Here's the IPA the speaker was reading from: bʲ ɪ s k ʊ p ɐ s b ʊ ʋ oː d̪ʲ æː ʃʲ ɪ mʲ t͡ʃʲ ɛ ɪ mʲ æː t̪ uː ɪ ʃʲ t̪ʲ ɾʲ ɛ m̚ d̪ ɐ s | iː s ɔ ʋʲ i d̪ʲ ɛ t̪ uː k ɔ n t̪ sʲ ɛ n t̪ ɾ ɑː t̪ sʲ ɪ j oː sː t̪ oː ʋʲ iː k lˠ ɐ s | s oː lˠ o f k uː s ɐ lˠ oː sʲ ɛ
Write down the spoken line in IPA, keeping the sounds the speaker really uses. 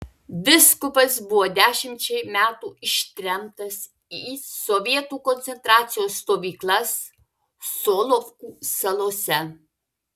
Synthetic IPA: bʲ ɪ s k ʊ p ɐ s b ʊ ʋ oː d̪ʲ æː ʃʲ ɪ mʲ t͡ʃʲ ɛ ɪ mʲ æː t̪ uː ɪ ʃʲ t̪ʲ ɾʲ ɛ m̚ t̪ ɐ s | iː s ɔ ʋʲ i ɛ t̪ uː k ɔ n t̪ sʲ ɛ n t̪ ɾ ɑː t̪ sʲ ɪ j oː sː t̪ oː ʋʲ iː k lˠ ɐ s | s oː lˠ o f k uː s ɐ lˠ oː sʲ ɛ